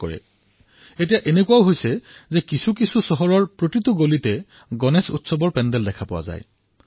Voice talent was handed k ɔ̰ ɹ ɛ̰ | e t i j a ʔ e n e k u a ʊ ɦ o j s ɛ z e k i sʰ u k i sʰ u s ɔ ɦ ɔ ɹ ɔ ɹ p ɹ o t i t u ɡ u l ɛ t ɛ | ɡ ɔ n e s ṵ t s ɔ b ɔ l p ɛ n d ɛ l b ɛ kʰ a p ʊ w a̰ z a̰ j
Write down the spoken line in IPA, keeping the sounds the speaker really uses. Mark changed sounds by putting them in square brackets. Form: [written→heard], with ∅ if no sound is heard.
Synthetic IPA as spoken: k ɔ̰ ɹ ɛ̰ | e t i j a ʔ e n e k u a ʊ ɦ o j s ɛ z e k i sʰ u k i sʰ u s ɔ ɦ ɔ ɹ ɔ ɹ p ɹ o t i t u ɡ [u→o] l [ɛ→i] t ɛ | ɡ ɔ n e s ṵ t s ɔ b ɔ [l→ɹ] p ɛ n d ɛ l [b→d] ɛ kʰ a p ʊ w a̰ z a̰ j